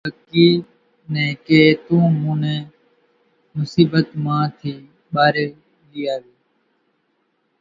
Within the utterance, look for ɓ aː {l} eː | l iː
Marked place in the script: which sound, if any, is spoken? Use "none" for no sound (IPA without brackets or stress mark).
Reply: ɾ